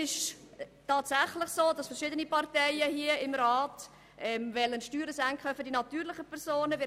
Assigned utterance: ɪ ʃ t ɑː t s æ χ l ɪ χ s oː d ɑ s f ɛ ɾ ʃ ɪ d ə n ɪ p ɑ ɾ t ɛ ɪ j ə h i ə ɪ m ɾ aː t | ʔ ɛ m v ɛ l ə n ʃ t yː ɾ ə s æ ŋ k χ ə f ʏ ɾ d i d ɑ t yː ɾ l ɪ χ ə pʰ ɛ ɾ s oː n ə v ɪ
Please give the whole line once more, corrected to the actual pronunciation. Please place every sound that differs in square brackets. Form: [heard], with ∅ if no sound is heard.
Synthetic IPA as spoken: ɪ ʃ t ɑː t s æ χ l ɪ χ s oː d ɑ s f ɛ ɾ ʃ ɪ d ə n [i] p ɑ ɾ t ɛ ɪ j ə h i ə ɪ m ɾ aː t | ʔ ɛ m v ɛ l ə n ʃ t yː ɾ ə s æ ŋ k χ ə f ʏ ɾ d i [n] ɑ t yː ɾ l ɪ χ ə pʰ ɛ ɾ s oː n ə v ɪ